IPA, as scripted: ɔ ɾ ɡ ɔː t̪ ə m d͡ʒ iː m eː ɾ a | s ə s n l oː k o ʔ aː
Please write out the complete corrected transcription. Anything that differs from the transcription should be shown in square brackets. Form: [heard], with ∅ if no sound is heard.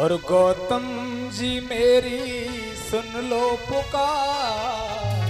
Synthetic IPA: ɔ ɾ ɡ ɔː t̪ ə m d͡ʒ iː m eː ɾ [i] | s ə [∅] n l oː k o [k] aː